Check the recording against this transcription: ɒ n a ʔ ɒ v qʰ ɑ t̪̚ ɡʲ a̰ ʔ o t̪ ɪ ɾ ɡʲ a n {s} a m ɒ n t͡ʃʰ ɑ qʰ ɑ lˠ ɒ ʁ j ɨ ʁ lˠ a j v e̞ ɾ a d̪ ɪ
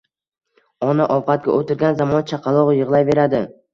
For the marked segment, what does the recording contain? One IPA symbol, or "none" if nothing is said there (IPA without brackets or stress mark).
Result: z